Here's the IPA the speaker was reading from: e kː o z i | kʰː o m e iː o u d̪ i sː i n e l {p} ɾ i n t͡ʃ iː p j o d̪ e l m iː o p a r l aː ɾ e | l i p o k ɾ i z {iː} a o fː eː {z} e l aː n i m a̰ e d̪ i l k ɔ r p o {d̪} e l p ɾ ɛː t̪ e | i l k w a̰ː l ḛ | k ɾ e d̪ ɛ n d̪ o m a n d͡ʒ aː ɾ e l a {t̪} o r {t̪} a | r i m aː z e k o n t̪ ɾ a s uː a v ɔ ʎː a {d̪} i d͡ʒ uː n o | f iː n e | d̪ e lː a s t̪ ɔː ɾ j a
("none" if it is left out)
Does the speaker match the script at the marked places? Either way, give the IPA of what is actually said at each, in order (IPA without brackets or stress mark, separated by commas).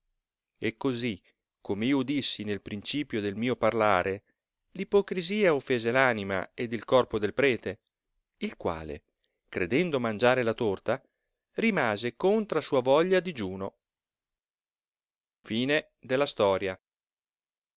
p, iː, z, d̪, t̪, t̪, d̪